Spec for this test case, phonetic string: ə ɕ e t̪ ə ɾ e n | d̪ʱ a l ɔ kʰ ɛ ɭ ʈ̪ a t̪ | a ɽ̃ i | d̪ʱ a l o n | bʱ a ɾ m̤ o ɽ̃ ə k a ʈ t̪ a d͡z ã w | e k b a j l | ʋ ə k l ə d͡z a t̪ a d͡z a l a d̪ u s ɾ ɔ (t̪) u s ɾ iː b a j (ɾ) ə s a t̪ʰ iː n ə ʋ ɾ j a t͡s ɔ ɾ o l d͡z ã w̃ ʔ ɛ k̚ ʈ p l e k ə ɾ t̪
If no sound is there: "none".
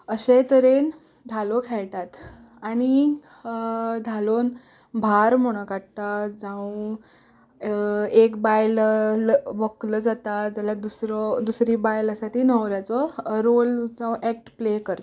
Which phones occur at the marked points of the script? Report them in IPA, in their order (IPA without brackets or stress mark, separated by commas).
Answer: d̪, l